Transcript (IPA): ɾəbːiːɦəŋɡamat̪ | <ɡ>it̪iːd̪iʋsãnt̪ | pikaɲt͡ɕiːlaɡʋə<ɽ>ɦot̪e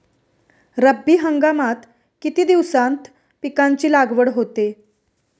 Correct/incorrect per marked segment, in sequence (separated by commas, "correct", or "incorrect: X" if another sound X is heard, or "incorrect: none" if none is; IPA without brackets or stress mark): incorrect: k, correct